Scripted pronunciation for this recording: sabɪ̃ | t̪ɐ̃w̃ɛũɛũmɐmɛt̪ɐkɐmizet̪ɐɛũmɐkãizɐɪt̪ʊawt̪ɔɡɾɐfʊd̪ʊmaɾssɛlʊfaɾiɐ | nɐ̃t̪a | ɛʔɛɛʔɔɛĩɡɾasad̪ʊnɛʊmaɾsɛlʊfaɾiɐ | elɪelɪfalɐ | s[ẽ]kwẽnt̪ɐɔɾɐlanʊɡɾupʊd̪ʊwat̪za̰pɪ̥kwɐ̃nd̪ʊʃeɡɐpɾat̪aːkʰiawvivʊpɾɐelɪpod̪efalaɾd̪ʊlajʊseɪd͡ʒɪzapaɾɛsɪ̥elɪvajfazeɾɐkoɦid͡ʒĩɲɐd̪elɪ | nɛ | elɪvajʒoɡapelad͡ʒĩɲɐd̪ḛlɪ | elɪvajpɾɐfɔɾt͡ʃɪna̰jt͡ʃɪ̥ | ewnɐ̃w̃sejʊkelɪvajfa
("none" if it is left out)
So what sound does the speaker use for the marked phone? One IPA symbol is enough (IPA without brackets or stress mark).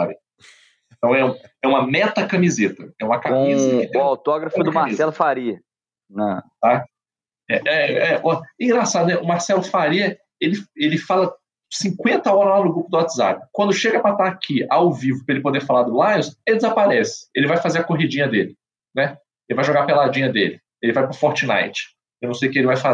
ĩ